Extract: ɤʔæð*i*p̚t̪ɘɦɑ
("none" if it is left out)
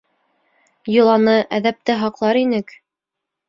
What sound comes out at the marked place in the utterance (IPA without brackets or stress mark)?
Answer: æ